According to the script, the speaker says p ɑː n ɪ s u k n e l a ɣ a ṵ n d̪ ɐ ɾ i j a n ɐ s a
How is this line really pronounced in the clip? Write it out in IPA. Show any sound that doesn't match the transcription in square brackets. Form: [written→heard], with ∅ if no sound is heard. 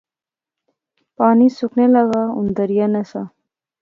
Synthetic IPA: p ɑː n [ɪ→i] s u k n e l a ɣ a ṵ n d̪ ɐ ɾ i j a n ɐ s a